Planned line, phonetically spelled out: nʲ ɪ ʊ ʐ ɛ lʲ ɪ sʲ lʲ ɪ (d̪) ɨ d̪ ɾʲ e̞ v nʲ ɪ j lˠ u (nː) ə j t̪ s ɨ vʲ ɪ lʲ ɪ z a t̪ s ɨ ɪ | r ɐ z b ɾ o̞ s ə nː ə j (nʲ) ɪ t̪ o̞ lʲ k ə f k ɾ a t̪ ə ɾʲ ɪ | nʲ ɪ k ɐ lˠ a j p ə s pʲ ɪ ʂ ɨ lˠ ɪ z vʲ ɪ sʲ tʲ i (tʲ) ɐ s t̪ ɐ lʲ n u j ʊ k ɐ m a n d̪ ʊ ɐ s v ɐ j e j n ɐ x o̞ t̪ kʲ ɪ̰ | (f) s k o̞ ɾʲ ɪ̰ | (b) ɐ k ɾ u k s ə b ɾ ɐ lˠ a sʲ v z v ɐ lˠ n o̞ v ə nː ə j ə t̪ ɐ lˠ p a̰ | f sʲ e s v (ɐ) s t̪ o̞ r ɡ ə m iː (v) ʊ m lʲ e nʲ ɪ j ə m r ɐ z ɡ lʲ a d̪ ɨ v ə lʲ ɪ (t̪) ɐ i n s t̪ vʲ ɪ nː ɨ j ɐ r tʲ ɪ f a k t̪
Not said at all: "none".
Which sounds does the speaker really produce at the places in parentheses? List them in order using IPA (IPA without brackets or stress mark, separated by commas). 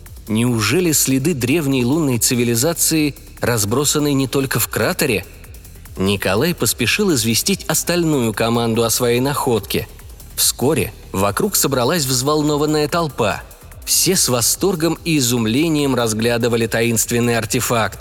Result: d̪, nː, nʲ, tʲ, f, v, ɐ, z, t̪